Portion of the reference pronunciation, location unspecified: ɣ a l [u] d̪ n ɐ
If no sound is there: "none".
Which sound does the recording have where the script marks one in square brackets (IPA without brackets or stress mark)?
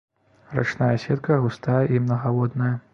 ɔ